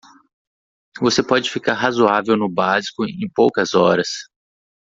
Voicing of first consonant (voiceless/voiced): voiced